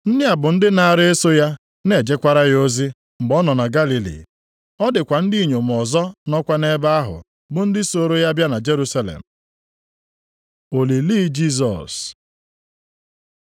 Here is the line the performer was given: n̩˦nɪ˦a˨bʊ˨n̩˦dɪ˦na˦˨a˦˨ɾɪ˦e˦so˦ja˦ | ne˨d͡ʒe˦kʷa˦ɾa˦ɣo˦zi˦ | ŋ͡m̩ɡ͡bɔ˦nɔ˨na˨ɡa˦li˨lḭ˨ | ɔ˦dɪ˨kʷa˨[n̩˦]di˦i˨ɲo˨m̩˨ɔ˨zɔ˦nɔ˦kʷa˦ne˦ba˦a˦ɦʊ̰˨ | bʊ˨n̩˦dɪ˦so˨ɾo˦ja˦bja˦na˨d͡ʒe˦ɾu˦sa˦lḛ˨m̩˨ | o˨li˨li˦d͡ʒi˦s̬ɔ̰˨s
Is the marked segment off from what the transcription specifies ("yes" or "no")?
no